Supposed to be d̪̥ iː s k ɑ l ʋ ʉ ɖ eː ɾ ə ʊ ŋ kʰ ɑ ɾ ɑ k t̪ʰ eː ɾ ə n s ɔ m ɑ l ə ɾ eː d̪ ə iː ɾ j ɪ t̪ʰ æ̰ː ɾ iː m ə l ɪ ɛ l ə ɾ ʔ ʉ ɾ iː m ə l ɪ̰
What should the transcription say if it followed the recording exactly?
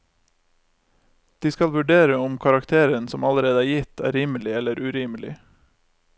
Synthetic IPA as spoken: d̪̥ iː s k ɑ l ʋ ʉ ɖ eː ɾ ə ʊ m kʰ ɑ ɾ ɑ k t̪ʰ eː ɾ ə n s ɔ m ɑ l ə ɾ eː d̪ ə æː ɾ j ɪ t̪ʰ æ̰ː ɾ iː m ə l ɪ ɛ l ə ɾ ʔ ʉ ɾ iː m ə l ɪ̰

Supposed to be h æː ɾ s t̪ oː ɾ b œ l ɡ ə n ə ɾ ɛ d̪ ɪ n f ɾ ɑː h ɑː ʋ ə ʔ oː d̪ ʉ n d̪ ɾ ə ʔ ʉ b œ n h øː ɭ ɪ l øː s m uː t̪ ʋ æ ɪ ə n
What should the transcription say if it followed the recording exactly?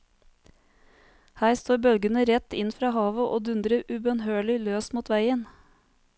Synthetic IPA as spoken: h æː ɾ s t̪ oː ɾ b œ l ɡ ə n ə ɾ ɛ t̪ ɪ n f ɾ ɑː h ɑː ʋ ə ʔ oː d̪ ʉ n d̪ ɾ ə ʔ ʉ b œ n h øː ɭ ɪ l øː s m uː t̪ ʋ æ ɪ ə n

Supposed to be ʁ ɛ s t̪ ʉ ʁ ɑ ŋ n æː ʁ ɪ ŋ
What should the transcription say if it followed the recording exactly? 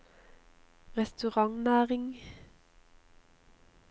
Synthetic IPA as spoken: ʁ ɛ s t̪ ʉ ʁ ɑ ŋ n æː ʁ ɪ ŋ

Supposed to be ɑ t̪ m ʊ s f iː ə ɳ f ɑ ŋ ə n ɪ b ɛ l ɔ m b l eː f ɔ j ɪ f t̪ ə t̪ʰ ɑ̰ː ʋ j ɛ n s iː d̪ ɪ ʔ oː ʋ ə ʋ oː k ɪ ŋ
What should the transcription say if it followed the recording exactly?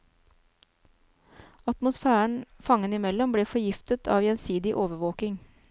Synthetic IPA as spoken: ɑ t̪ m ʊ s f æː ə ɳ f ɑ ŋ ə n ɪ m ɛ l ɔ m b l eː f ɔ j ɪ f t̪ ə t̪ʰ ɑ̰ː ʋ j ɛ n s iː d̪ ɪ ʔ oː ʋ ə ʋ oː k ɪ ŋ

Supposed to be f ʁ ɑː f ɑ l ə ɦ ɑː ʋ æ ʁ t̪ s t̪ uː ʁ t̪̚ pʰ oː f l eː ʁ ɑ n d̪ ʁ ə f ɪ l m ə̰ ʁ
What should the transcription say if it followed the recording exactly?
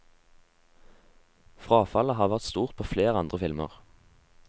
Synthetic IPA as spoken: f ʁ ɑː f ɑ l ə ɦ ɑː ʋ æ ʁ t̪ s t̪ uː ʁ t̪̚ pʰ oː f l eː ʁ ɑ n d̪ ʁ ə f ɪ l m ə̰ ʁ

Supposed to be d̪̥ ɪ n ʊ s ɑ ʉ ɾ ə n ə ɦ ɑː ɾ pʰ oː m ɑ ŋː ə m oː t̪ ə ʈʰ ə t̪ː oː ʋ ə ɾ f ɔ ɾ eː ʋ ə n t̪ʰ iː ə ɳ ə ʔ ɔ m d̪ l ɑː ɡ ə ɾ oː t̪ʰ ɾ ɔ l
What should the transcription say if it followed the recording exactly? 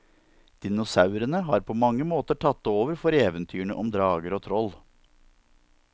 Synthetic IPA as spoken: d̪̥ ɪ n ʊ s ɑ ʉ ɾ ə n ə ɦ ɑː ɾ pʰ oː m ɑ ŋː ə m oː t̪ ə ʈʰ ɑ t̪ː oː ʋ ə ɾ f ɔ ɾ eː ʋ ə n t̪ʰ yː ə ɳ ə ʔ ɔ m d̪ ɾ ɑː ɡ ə ɾ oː t̪ʰ ɾ ɔ l

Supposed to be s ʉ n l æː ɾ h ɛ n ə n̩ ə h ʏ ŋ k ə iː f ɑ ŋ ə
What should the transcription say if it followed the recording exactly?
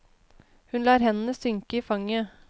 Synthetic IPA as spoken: h ʉ n l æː ɾ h ɛ n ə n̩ ə s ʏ ŋ k ə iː f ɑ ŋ ə

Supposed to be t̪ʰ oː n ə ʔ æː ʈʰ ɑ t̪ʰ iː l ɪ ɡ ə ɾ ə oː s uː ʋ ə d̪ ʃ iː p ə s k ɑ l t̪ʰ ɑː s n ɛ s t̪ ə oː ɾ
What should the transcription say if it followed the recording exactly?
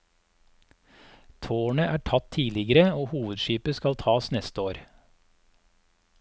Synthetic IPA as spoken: t̪ʰ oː ɳ ə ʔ æː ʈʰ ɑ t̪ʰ iː l ɪ ɡ ə ɾ ə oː h uː ʋ ə d̪ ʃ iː p ə s k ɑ l t̪ʰ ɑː s n ɛ s t̪ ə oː ɾ

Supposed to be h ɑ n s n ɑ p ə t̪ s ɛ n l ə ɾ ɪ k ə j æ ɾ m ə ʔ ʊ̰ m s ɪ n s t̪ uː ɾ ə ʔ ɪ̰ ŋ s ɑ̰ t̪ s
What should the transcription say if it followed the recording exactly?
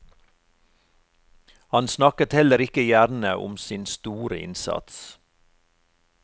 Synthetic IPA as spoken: h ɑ n s n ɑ k ə t̪ h ɛ l ə ɾ ɪ k ə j æ ɾ n ə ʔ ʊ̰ m s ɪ n s t̪ uː ɾ ə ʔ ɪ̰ n s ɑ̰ t̪ s

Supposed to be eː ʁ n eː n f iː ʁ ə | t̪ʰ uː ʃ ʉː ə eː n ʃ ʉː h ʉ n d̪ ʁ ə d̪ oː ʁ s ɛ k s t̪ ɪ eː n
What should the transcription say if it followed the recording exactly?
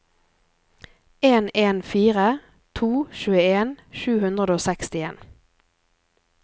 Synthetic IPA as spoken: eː n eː n f iː ʁ ə | t̪ʰ uː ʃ ʉː ə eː n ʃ ʉː h ʉ n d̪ ʁ ə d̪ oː s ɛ k s t̪ ɪ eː n

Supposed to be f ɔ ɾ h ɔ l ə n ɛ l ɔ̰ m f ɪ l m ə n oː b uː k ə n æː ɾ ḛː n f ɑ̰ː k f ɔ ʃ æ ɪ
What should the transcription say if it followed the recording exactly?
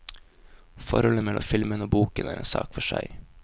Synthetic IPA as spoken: f ɔ ɾ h ɔ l ə m ɛ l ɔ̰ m f ɪ l m ə n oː b uː k ə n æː ɾ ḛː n s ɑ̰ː k f ɔ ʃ æ ɪ

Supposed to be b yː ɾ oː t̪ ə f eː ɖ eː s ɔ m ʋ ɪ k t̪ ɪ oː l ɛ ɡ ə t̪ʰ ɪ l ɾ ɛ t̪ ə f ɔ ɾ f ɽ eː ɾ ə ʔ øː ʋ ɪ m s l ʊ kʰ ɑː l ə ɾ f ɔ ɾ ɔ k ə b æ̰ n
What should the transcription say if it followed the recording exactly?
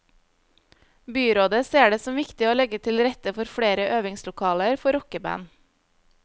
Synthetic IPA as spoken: b yː ɾ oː d̪ ə s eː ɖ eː s ɔ m ʋ ɪ k t̪ ɪ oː l ɛ ɡ ə t̪ʰ ɪ l ɾ ɛ t̪ ə f ɔ ɾ f ɽ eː ɾ ə ʔ øː ʋ ɪ ŋ s l ʊ kʰ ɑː l ə ɾ f ɔ ɾ ɔ k ə b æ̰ n

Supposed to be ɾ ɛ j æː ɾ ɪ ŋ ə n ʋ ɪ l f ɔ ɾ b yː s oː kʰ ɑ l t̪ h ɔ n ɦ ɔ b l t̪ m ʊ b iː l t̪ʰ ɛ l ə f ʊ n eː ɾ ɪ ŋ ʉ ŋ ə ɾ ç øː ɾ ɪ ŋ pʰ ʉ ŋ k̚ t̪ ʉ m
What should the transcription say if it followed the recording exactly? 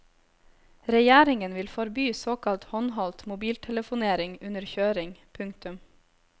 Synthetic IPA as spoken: ɾ ɛ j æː ɾ ɪ ŋ ə n ʋ ɪ l f ɔ ɾ b yː s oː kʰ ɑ l t̪ h ɔ n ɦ ɔ l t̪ m ʊ b iː l t̪ʰ ɛ l ə f ʊ n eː ɾ ɪ ŋ ʉ n ə ɾ ç øː ɾ ɪ ŋ pʰ ʉ ŋ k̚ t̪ ʉ m

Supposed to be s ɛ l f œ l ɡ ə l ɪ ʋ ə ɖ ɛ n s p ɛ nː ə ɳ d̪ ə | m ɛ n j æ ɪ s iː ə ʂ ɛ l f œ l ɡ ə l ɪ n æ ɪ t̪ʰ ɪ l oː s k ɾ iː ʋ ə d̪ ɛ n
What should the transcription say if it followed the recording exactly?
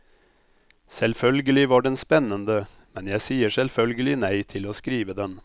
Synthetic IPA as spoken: s ɛ l f œ l ɡ ə l ɪ ʋ ɑ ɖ ɛ n s p ɛ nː ə n d̪ ə | m ɛ n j æ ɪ s iː ə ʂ ɛ l f œ l ɡ ə l ɪ n æ ɪ t̪ʰ ɪ l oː s k ɾ iː ʋ ə d̪ ɛ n

